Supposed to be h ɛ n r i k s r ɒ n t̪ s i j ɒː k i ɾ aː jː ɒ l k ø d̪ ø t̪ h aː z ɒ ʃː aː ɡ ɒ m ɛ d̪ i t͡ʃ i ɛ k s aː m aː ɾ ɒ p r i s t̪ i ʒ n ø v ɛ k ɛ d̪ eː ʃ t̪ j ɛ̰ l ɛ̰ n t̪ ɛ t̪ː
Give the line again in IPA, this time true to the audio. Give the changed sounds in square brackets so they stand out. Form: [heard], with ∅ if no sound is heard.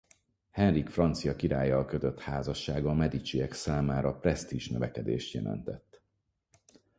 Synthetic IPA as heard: h ɛ n r i k [f] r ɒ n t̪ s i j [ɒ] k i ɾ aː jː ɒ l k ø [t̪] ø t̪ h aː z ɒ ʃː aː ɡ ɒ m ɛ d̪ i t͡ʃ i ɛ k s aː m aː ɾ ɒ p r [ɛ] s t̪ i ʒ n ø v ɛ k ɛ d̪ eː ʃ t̪ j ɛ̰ l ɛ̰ n t̪ ɛ t̪ː